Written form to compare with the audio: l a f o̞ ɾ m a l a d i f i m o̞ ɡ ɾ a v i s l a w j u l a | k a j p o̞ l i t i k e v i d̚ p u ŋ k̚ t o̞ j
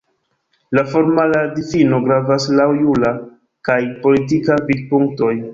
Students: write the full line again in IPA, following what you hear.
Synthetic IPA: l a f o̞ ɾ m a l a d i f i n o̞ ɡ ɾ a v a s l a w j u l a | k a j p o̞ l i t i k a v i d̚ p u ŋ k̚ t o̞ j